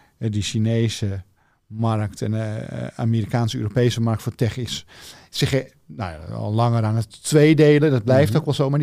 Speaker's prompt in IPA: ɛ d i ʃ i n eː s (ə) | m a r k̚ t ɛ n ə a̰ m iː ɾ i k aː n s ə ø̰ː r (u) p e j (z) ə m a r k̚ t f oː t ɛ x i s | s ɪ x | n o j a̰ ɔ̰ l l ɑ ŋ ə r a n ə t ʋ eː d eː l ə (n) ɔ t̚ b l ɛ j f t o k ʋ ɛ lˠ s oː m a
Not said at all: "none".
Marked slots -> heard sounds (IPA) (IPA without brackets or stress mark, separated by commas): ə, o, s, d